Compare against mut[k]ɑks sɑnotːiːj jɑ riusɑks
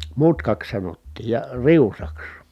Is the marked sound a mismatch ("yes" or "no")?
no